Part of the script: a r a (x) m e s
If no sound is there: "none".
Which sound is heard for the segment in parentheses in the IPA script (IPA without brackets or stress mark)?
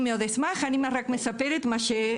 k